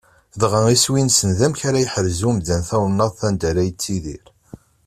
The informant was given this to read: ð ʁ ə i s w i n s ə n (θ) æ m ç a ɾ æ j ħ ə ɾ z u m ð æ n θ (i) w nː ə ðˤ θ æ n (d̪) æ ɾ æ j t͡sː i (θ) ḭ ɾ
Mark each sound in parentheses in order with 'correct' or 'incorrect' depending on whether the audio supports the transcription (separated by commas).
incorrect, incorrect, correct, incorrect